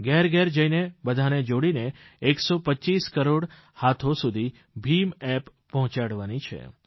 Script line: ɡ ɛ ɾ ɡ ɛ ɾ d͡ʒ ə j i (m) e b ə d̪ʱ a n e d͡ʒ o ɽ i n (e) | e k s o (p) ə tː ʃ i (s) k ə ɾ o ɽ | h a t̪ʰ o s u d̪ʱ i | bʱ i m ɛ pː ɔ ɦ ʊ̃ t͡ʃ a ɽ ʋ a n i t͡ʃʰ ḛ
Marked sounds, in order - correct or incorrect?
incorrect: n, correct, correct, correct

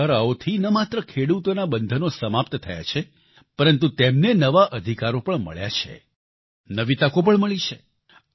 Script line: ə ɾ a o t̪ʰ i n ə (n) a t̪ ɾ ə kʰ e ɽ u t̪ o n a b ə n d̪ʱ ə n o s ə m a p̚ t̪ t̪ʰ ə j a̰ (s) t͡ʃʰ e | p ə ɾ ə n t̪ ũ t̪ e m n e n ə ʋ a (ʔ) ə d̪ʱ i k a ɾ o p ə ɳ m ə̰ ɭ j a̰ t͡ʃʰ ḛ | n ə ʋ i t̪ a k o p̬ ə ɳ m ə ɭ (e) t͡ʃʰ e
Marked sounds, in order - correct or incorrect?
incorrect: m, incorrect: none, correct, incorrect: i

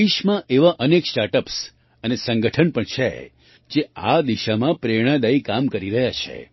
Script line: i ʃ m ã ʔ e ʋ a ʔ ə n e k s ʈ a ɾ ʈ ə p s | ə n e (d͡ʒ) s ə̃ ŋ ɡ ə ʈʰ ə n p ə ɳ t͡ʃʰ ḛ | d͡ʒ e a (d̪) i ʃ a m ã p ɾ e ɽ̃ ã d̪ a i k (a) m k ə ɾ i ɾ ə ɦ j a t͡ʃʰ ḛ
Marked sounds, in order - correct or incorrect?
incorrect: none, correct, correct

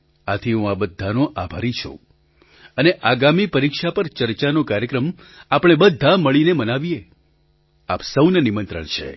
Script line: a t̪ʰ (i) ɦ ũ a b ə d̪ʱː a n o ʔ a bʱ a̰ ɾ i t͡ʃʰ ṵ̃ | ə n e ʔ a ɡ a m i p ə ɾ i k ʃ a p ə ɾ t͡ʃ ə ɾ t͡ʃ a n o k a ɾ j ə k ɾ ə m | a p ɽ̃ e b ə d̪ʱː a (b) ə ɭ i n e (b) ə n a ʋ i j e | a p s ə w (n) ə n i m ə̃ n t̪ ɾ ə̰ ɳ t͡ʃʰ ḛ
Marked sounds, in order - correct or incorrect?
correct, incorrect: m, incorrect: m, correct

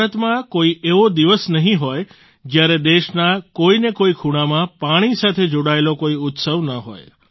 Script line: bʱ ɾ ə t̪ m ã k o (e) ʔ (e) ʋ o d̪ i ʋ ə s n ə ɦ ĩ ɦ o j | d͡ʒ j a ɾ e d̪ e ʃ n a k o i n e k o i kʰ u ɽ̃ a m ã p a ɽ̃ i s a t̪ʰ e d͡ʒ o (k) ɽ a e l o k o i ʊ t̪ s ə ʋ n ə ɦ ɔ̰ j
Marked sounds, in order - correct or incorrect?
incorrect: i, correct, incorrect: none

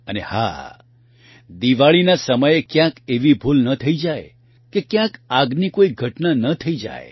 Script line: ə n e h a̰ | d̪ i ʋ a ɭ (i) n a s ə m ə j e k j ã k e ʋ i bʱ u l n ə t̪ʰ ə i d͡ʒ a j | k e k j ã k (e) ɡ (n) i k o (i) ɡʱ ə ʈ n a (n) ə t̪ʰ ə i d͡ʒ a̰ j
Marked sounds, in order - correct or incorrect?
correct, incorrect: a, correct, correct, correct

